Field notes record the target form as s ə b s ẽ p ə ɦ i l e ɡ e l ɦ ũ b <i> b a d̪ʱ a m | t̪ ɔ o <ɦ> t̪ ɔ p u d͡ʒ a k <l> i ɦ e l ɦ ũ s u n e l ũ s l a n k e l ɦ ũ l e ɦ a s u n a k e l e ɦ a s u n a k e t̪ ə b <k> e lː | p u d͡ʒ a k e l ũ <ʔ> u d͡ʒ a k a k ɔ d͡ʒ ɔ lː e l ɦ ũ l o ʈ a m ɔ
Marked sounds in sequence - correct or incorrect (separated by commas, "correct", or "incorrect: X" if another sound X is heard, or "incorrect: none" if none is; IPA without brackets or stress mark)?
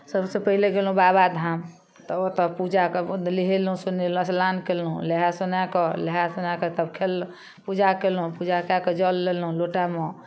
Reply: incorrect: a, incorrect: none, correct, incorrect: kʰ, incorrect: p